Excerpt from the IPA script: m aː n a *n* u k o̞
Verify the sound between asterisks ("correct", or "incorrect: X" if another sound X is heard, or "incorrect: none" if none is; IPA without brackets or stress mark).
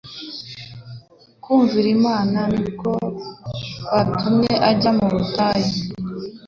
correct